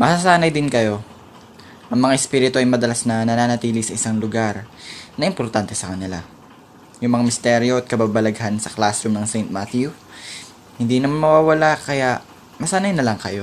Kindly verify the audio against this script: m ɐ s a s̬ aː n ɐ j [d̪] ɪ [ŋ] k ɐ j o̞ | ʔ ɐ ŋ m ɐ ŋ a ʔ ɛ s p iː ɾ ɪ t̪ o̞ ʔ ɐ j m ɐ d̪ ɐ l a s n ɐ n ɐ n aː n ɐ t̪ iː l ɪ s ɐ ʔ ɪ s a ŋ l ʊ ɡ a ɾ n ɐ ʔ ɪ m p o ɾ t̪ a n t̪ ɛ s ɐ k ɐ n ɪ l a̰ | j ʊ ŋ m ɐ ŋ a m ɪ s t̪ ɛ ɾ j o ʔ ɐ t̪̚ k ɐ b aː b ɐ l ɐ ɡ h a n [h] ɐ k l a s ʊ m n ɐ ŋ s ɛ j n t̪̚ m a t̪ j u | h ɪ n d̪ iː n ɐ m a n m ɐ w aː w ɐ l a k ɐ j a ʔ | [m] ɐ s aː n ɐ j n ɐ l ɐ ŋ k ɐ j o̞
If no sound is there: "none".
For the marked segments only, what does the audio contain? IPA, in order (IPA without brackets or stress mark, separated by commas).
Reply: d̪, n, s, m